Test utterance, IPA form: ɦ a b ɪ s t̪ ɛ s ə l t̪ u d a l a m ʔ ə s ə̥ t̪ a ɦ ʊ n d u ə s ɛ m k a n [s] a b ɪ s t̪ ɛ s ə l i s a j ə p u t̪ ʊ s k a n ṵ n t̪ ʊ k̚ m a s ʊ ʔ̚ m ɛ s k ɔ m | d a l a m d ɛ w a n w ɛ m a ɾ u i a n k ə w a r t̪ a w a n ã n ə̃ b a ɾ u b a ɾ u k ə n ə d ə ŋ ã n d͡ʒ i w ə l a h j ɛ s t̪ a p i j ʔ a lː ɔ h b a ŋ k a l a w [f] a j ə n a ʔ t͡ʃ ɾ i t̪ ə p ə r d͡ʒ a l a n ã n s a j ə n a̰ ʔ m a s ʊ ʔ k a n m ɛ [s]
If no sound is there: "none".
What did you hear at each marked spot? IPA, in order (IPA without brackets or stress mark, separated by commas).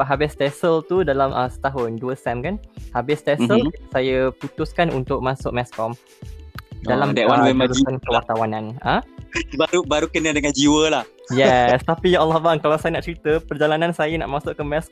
h, s, s